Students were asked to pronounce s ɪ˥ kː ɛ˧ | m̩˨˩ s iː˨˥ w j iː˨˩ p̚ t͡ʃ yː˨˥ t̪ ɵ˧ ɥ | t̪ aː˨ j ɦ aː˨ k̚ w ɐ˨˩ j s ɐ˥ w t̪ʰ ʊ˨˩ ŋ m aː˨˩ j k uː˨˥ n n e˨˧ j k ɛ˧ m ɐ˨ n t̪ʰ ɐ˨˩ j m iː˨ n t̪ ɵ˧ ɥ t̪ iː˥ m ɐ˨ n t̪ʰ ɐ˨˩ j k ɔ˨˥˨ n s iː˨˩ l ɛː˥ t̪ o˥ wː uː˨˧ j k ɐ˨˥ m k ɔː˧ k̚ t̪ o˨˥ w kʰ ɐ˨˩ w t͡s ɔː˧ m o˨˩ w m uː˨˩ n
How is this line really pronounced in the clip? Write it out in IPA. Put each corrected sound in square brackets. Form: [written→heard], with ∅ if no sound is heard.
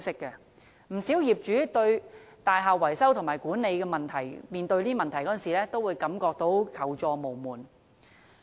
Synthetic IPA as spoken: s ɪ˥ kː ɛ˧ | m̩˨˩ s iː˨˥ w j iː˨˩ p̚ t͡ʃ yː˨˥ t̪ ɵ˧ ɥ | t̪ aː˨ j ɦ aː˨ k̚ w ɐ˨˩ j s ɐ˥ w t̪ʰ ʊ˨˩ ŋ m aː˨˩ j k uː˨˥ n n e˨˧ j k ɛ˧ m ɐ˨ n t̪ʰ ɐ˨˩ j m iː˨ n t̪ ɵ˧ ɥ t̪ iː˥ m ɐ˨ n t̪ʰ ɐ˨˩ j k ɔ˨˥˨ n s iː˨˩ l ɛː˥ t̪ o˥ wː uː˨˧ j k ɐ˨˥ m k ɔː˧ k̚ t̪ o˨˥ w kʰ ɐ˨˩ w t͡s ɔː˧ m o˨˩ w m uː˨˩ n